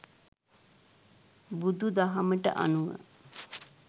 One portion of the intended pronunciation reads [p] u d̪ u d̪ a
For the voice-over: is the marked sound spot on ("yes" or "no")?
no